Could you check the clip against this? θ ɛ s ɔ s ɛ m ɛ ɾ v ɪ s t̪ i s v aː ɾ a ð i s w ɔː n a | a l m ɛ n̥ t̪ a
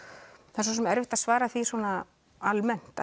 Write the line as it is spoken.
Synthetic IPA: θ ɛ s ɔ s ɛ m ɛ ɾ v ɪ h t̪ a s v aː ɾ a θ i s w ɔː n a | a l m ɛ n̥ t̪ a